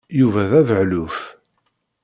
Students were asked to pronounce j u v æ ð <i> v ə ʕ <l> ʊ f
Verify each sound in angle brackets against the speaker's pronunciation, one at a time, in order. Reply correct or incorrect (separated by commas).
incorrect, correct